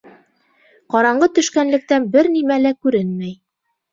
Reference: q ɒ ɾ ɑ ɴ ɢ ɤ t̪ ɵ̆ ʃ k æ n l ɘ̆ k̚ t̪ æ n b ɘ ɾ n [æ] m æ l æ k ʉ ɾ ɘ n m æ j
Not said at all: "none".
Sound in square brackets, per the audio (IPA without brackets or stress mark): i